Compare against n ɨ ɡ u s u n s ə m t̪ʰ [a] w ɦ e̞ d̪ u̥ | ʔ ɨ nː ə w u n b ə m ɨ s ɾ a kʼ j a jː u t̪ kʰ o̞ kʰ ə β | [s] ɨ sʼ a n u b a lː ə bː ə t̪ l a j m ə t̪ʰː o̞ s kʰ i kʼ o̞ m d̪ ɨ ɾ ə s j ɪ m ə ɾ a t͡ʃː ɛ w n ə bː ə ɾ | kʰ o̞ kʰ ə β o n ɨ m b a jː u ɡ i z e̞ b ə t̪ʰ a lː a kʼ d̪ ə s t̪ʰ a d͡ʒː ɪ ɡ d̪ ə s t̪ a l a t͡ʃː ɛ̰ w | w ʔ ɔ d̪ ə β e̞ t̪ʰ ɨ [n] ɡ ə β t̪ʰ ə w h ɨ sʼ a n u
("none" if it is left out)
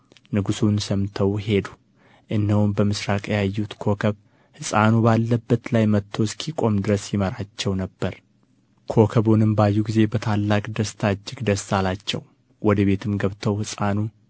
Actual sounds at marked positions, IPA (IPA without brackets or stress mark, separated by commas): ə, h, m